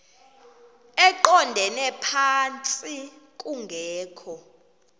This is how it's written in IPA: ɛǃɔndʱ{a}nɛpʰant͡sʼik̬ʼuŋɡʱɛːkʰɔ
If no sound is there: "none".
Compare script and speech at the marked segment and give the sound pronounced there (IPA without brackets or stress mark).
ɛ